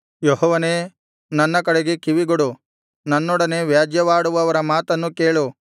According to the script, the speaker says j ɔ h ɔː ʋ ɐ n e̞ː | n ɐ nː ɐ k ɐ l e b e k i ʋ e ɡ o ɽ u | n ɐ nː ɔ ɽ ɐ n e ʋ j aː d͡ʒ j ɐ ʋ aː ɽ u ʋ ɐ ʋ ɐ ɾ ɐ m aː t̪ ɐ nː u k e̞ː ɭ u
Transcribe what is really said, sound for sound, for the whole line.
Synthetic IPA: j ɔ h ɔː ʋ ɐ n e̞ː | n ɐ nː ɐ k ɐ ɽ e ɡ e k i ʋ i ɡ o ɽ u | n ɐ nː ɔ ɽ ɐ n e ʋ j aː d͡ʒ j ɐ ʋ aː ɽ u ʋ ɐ ʋ ɐ ɾ ɐ m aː t̪ ɐ nː u k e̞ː ɭ u